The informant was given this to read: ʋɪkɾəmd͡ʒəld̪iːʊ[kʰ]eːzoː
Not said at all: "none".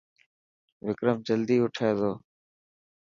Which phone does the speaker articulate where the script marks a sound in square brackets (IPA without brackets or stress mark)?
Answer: ʈʰ